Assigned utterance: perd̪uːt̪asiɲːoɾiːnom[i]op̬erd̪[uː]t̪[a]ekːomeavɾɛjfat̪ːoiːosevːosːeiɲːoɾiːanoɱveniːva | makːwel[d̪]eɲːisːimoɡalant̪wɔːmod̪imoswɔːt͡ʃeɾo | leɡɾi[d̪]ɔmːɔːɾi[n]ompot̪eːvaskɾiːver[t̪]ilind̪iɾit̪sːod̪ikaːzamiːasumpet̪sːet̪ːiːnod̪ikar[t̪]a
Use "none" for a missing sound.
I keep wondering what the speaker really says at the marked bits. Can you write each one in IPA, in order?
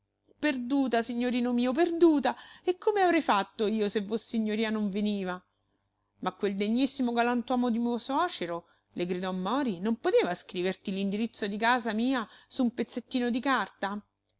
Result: iː, uː, a, d̪, d̪, n, t̪, t̪

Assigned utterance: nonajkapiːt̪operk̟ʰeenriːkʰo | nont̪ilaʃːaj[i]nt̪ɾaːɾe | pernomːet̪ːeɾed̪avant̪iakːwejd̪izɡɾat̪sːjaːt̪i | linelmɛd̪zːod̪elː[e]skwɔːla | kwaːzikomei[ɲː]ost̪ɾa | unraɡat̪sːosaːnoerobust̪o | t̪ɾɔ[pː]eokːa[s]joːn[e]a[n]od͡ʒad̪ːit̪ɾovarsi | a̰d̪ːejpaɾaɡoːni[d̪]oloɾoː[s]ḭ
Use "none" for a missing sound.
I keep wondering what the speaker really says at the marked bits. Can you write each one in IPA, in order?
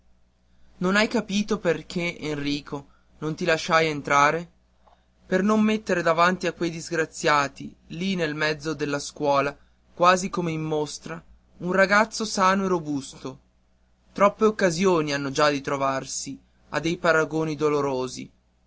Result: e, a, mː, pː, z, i, nː, d̪, z

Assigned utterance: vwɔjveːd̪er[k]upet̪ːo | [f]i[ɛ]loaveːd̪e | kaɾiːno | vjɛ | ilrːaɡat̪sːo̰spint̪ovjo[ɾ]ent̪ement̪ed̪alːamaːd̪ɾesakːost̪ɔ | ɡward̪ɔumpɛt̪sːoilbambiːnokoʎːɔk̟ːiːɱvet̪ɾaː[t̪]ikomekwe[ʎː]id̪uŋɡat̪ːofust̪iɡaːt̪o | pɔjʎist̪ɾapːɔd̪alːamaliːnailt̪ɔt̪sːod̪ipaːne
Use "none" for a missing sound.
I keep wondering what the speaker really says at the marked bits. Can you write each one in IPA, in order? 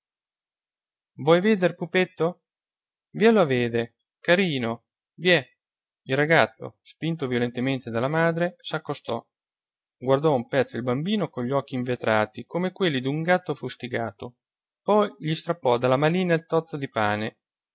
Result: p, v, ɛ, l, t̪, lː

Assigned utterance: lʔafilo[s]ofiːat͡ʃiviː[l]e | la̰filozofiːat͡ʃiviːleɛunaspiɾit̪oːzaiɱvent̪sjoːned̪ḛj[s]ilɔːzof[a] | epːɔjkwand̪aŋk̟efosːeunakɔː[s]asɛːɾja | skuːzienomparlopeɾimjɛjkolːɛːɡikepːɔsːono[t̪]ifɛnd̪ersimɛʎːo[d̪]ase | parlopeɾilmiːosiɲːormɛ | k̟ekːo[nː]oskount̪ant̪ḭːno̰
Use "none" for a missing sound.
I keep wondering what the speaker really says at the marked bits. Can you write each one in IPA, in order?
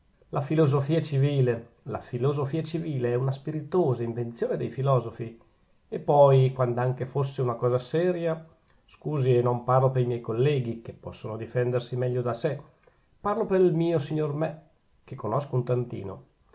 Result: z, l, f, i, z, d̪, d̪, n

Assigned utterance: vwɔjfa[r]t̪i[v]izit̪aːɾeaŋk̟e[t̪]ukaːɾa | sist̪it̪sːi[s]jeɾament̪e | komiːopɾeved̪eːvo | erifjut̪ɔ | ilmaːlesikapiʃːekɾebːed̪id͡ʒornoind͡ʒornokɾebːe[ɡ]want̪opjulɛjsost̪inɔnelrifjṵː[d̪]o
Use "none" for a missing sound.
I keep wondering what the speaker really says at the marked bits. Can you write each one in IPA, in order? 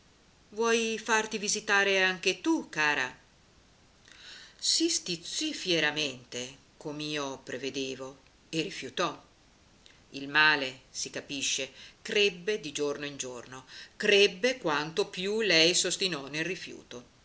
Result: r, v, t̪, f, k, t̪

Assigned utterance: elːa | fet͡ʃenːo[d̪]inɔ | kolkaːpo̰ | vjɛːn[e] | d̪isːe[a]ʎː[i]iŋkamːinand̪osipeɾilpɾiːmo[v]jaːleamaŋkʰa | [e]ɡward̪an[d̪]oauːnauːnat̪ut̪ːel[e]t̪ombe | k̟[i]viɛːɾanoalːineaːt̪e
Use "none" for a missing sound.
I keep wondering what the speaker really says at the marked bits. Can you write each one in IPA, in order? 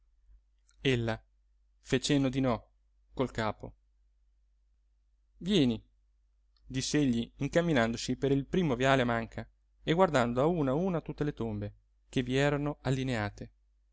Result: d̪, i, e, i, v, e, d̪, e, e

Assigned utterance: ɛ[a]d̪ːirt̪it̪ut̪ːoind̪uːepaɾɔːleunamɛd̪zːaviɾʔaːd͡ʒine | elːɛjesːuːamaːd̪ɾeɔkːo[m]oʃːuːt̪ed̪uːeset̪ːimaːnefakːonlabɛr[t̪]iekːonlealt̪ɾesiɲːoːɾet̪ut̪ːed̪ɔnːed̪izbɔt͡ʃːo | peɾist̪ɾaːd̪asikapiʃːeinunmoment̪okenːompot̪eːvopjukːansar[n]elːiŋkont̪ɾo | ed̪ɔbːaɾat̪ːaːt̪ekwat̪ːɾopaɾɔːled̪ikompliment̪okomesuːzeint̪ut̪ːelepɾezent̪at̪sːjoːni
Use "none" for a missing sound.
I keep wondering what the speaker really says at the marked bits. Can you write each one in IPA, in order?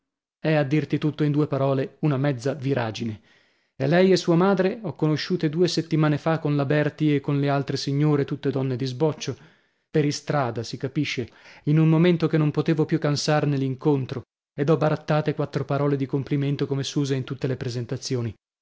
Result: a, n, t̪, n

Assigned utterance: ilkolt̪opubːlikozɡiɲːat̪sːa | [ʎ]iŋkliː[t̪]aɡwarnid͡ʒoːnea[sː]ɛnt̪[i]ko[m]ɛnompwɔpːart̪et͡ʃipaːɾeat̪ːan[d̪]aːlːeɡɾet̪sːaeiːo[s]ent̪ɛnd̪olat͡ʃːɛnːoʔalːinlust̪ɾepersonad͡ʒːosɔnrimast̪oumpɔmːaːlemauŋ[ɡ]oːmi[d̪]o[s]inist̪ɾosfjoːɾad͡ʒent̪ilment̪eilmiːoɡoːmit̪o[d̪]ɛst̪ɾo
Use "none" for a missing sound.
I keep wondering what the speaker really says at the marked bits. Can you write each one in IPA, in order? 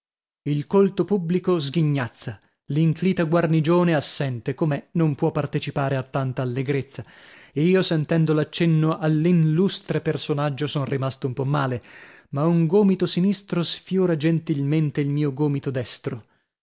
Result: l, t̪, sː, e, m, t̪, s, ɡ, t̪, s, d̪

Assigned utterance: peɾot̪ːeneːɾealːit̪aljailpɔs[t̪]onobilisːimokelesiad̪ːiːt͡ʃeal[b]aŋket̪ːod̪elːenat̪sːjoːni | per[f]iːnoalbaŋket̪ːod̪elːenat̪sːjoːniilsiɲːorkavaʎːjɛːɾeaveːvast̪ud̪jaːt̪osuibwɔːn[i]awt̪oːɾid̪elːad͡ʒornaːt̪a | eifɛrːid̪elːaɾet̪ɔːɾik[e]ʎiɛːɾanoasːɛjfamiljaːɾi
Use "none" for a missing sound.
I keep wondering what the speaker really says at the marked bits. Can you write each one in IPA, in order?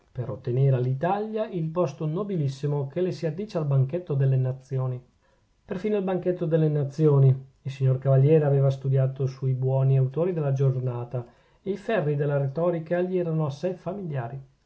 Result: t̪, b, f, i, a

